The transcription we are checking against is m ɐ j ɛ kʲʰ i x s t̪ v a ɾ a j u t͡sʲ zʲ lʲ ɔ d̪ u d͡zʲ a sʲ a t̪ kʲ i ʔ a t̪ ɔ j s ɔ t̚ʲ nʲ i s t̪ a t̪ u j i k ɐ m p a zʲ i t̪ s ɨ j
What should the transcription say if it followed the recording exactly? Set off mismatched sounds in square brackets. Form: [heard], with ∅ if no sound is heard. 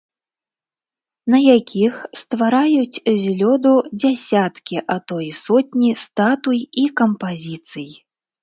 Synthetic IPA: [n] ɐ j [a] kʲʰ i x s t̪ v a ɾ a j u t͡sʲ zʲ lʲ ɔ d̪ u d͡zʲ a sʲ a t̪ kʲ i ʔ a t̪ ɔ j s ɔ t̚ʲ nʲ i s t̪ a t̪ u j i k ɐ m p a zʲ i t̪ s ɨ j